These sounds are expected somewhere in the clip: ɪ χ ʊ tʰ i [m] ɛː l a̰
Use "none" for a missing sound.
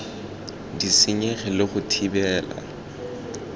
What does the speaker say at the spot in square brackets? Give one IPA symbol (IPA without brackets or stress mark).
b